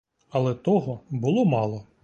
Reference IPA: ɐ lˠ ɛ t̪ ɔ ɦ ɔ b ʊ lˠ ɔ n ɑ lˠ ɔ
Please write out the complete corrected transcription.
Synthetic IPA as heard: ɐ lˠ ɛ t̪ ɔ ɦ ɔ b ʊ lˠ ɔ m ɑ lˠ ɔ

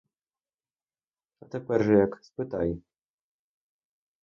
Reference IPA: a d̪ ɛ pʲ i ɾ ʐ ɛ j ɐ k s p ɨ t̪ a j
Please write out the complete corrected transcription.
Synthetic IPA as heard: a t̪ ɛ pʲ ɛ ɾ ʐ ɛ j a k s p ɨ t̪ a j

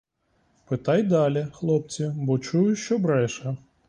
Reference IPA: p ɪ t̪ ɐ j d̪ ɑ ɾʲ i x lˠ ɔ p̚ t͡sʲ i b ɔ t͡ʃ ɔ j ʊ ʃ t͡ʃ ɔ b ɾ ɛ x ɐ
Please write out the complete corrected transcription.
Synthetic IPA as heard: p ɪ t̪ ɑ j d̪ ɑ lʲ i x lˠ ɔ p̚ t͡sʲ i b ɔ t͡ʃ u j ʊ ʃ t͡ʃ ɔ b ɾ ɛ ʃ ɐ

